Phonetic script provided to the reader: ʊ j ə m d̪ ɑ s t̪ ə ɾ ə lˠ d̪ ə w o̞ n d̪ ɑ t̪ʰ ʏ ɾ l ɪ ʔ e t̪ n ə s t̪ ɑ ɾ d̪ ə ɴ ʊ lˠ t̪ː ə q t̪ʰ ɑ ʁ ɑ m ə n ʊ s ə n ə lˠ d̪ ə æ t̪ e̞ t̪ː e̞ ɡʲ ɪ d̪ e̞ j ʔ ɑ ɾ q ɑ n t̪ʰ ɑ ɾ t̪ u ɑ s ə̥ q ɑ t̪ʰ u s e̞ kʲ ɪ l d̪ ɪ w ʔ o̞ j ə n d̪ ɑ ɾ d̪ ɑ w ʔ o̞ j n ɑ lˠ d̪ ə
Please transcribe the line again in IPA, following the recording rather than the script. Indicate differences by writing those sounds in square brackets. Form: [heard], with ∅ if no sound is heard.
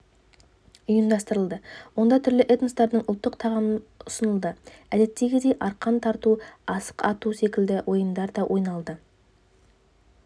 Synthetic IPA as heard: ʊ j ə m d̪ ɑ s t̪ ə ɾ ə lˠ d̪ ə w o̞ n d̪ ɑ t̪ʰ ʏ ɾ l ɪ ʔ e t̪ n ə s t̪ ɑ ɾ d̪ ə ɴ ʊ lˠ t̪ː ə q t̪ʰ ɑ ʁ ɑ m ə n ʊ s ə n ə lˠ d̪ ə æ [d̪] e̞ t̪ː e̞ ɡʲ ɪ d̪ e̞ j ʔ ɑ ɾ q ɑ n t̪ʰ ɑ ɾ t̪ u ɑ s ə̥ q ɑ [t̪] u s e̞ kʲ ɪ l d̪ ɪ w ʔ o̞ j ə [m] d̪ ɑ ɾ d̪ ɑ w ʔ o̞ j n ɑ lˠ d̪ ə